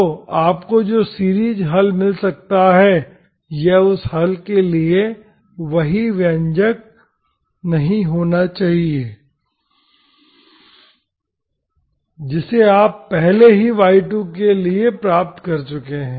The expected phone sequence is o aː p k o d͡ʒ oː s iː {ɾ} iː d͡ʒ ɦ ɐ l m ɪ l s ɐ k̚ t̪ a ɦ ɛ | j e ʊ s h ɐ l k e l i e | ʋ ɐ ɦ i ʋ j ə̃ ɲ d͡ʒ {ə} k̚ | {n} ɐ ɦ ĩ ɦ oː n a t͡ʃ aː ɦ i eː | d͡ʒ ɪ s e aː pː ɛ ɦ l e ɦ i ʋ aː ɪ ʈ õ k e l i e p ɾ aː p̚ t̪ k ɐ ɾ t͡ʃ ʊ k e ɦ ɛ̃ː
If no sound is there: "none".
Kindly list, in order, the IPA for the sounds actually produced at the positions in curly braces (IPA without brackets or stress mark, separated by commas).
ɾ, ə, n